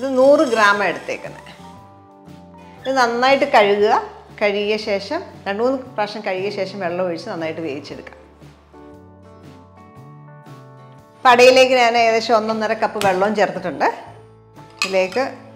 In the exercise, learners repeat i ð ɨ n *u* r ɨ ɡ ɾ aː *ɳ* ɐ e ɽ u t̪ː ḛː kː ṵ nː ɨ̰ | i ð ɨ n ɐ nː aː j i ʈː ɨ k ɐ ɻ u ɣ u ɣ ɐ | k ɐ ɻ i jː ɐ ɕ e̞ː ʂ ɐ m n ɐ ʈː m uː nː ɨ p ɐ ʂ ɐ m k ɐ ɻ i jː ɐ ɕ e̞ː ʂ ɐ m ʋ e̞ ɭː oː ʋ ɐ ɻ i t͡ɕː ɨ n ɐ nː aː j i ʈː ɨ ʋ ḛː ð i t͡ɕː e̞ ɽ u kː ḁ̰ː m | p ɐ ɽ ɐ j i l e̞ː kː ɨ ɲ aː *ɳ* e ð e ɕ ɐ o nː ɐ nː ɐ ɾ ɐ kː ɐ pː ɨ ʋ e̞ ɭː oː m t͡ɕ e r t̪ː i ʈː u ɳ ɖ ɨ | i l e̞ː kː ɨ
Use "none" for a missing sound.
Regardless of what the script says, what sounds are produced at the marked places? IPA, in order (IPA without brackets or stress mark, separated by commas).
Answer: uː, m, n